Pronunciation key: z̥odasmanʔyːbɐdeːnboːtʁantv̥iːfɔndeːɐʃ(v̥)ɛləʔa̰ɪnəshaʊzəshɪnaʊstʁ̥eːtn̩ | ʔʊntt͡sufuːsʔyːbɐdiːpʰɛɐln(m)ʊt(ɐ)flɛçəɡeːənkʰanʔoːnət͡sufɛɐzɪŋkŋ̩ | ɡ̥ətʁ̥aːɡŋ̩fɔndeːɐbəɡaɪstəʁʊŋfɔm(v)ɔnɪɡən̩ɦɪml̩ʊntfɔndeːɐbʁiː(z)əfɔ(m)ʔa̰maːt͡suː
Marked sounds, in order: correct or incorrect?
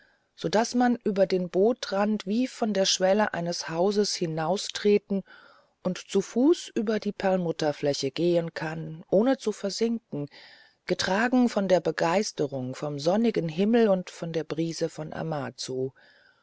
correct, correct, correct, incorrect: z, correct, incorrect: n

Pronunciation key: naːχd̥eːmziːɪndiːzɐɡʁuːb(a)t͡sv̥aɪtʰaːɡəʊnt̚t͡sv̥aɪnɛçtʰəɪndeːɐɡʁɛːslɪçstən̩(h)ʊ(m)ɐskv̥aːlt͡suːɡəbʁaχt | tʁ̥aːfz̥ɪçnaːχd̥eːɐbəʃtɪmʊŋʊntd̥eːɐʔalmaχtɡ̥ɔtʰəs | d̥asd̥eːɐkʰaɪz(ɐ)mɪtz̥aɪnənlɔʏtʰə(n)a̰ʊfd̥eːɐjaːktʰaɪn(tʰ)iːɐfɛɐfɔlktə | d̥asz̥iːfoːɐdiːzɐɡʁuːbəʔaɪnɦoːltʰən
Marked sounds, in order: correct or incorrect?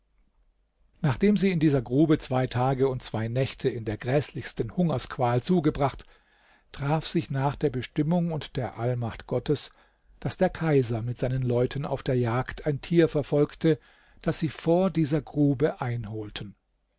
incorrect: ə, correct, incorrect: ŋ, correct, correct, correct

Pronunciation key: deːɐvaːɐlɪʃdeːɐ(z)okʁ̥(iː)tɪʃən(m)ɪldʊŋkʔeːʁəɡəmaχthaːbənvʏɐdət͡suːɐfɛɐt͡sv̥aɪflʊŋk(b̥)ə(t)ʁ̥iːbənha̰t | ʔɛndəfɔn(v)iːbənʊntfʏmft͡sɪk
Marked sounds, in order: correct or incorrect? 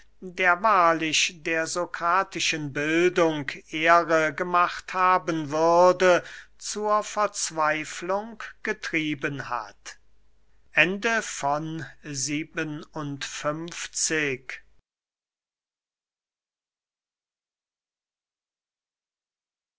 correct, incorrect: aː, incorrect: b, incorrect: ɡ̥, correct, incorrect: z

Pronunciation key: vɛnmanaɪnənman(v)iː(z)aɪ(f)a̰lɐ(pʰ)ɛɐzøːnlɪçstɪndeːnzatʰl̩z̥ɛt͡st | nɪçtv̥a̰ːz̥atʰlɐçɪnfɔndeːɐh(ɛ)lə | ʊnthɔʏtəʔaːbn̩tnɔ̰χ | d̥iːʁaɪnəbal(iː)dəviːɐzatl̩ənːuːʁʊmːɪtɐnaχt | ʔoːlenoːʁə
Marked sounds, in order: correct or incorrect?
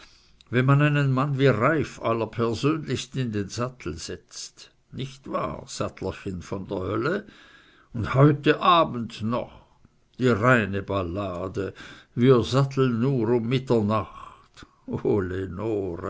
correct, incorrect: ʁ, correct, correct, incorrect: œ, incorrect: aː

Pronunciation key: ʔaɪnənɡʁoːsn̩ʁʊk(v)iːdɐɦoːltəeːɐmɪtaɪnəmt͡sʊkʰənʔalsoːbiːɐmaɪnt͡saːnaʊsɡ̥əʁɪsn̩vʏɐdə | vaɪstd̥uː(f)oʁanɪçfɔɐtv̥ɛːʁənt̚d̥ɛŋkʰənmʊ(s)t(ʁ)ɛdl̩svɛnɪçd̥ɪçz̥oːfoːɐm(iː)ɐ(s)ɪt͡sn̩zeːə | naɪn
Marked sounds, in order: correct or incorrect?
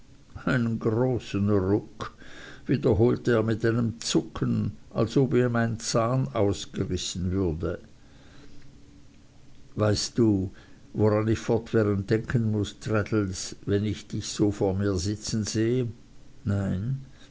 correct, incorrect: v, correct, correct, correct, incorrect: z

